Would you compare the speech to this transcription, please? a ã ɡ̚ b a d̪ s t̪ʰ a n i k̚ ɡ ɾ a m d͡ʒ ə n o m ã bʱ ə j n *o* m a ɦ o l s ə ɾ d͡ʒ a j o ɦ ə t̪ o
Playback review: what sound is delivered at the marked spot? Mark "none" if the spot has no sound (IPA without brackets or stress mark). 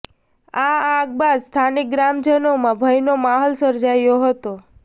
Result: o